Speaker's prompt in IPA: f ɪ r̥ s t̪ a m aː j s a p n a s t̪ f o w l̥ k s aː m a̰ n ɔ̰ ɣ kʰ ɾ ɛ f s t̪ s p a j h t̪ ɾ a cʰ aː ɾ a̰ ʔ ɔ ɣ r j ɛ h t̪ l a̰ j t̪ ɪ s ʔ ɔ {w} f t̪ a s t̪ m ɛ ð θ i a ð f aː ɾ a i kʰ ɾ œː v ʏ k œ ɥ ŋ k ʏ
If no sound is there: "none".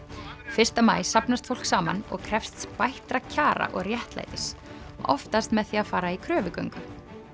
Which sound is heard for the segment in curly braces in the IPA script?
none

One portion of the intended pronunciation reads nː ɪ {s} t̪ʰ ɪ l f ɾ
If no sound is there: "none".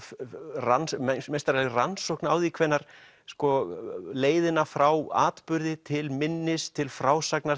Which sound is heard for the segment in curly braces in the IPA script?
s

